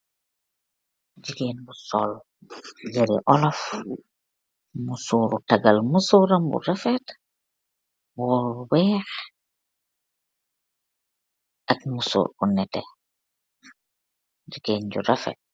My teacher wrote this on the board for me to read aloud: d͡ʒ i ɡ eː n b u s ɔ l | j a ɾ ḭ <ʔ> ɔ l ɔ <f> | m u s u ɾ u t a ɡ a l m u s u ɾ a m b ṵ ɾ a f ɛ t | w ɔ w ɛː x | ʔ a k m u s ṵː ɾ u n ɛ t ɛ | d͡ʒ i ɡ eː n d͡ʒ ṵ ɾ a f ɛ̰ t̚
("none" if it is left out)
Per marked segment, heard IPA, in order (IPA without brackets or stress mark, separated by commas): ʔ, f